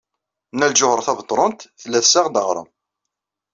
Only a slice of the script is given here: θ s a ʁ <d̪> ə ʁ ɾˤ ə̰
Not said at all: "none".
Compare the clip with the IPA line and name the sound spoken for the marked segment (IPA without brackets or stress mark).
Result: d̪